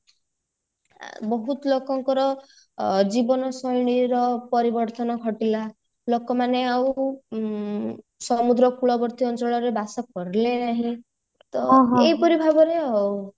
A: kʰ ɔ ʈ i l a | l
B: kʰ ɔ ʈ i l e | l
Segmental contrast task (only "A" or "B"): A